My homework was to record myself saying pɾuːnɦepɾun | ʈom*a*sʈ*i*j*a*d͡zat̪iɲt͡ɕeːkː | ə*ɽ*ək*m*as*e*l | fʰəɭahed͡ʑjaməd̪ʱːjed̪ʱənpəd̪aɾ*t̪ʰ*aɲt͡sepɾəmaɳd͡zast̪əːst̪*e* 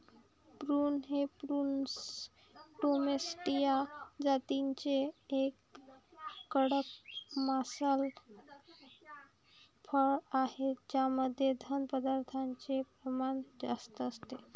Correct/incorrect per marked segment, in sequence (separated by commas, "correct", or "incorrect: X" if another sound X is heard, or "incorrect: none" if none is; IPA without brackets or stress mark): incorrect: e, correct, correct, correct, correct, incorrect: a, correct, correct